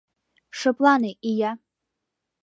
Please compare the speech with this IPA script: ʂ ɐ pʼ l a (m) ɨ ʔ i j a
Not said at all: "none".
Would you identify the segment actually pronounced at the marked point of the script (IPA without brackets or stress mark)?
n